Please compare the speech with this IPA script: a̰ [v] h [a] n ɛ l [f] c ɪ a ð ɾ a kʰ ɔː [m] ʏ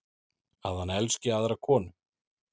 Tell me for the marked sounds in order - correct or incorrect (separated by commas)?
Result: incorrect, correct, incorrect, incorrect